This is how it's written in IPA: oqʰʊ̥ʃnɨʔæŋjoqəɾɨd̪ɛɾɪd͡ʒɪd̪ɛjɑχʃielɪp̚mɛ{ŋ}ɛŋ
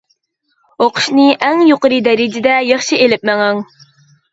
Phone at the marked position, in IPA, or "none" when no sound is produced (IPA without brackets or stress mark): ŋ